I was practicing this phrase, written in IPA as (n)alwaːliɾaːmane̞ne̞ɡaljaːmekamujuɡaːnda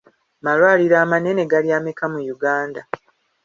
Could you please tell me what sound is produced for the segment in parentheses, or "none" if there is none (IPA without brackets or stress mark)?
m